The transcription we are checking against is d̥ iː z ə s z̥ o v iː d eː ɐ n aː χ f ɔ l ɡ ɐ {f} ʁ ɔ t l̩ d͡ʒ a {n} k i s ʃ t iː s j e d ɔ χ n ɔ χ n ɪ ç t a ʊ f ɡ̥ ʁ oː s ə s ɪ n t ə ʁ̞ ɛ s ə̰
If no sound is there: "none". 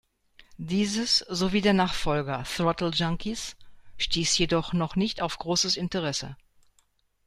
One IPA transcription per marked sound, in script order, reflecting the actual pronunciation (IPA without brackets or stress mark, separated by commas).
θ, ŋ